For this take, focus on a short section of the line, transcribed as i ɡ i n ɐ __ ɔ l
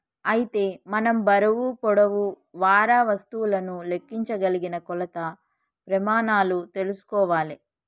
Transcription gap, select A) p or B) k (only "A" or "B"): B